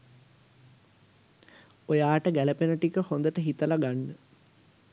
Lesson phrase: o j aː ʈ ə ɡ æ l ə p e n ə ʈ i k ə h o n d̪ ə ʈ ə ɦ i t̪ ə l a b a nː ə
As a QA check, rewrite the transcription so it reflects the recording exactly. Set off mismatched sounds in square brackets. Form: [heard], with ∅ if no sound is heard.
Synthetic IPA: o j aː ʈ ə ɡ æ l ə p e n ə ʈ i k ə h o n d̪ ə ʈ ə ɦ i t̪ ə l a [ɡ] a nː ə